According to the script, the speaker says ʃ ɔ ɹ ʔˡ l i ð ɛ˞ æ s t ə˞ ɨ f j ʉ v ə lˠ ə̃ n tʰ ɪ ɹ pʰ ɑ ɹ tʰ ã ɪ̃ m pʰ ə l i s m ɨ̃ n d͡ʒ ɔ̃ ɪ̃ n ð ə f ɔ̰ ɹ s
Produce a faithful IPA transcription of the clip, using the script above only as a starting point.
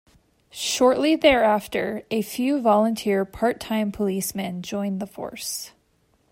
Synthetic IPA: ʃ ɔ ɹ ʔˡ l i ð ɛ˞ æ f t ə˞ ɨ f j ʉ v ɑ lˠ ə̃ n tʰ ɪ ɹ pʰ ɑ ɹ tʰ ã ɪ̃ m pʰ ə l i s m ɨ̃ n d͡ʒ ɔ̃ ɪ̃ n ð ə f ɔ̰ ɹ s